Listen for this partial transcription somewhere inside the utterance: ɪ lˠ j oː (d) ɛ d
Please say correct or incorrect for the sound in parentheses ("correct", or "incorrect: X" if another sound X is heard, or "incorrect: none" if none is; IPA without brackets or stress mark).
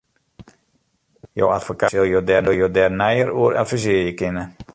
correct